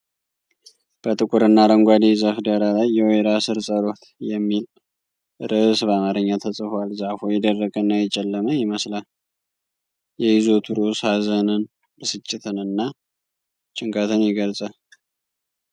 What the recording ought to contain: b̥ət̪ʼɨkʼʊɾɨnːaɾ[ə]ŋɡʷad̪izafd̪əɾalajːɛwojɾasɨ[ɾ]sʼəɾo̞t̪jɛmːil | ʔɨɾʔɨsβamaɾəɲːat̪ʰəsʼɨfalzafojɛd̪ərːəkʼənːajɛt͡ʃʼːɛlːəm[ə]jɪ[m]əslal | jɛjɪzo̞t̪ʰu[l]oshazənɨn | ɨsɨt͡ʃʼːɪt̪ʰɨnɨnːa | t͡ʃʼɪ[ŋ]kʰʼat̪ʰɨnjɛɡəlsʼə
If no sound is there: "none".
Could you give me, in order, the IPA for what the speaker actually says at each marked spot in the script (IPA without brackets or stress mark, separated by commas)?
ə, ɾ, ə, m, ɾ, ŋ